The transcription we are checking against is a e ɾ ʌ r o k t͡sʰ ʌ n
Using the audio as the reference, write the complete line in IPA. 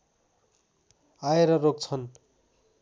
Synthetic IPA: a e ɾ ʌ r o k t͡sʰ ʌ n